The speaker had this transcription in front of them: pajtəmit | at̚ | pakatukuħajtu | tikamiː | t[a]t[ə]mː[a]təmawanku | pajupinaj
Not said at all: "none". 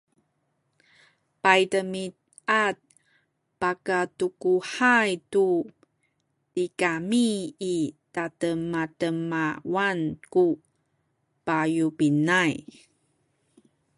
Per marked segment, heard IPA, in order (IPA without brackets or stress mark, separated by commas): a, ə, a